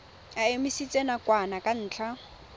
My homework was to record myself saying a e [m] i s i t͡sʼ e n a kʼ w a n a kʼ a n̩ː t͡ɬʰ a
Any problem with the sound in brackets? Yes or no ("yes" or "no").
no